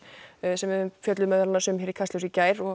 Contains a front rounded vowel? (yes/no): yes